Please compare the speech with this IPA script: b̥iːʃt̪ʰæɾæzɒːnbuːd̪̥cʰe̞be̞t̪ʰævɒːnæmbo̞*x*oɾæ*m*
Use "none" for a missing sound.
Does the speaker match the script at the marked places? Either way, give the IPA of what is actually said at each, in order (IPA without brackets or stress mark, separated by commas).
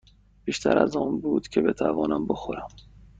x, m